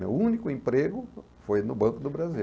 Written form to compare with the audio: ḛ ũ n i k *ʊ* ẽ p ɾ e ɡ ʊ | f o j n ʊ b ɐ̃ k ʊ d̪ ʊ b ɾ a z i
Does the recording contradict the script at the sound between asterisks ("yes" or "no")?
no